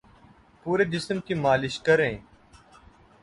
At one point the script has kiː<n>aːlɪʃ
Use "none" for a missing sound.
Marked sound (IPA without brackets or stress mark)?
m